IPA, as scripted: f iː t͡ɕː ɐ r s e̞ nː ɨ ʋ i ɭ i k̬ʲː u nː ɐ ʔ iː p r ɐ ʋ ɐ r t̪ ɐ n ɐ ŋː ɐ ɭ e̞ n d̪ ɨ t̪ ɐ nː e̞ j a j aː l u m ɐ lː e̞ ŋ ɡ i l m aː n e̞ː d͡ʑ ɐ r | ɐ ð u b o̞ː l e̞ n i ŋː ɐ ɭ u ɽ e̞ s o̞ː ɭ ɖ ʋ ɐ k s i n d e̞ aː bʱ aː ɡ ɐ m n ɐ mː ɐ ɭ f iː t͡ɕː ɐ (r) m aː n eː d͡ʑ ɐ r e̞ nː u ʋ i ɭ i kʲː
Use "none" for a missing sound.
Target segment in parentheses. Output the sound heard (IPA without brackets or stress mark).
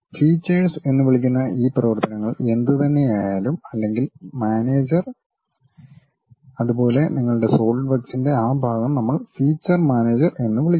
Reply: r